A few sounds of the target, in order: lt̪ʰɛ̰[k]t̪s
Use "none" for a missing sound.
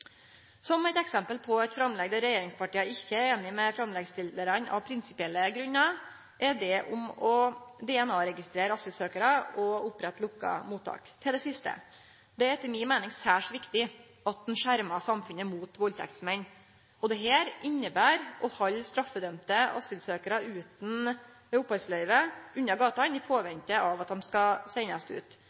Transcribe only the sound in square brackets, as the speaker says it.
k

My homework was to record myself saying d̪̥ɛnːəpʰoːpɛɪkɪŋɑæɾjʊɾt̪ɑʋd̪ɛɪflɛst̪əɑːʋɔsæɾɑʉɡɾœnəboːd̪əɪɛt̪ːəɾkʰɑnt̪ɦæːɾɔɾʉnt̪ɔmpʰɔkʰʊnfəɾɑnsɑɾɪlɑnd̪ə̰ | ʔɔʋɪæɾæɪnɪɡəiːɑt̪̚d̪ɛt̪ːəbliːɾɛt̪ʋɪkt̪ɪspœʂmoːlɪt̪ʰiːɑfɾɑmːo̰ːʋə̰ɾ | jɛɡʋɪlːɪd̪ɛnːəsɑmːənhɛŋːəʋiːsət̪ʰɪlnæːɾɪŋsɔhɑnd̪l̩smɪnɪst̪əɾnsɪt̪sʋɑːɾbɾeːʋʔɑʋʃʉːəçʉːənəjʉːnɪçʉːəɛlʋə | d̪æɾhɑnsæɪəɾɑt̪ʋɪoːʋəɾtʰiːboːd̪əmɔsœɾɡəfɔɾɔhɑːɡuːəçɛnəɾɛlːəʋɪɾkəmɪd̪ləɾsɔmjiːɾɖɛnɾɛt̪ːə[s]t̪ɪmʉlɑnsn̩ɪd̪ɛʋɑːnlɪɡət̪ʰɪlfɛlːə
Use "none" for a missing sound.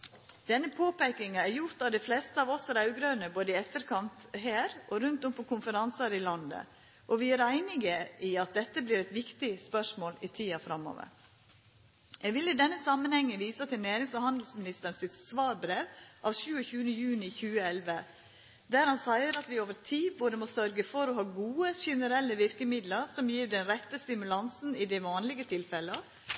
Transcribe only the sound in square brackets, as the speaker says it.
s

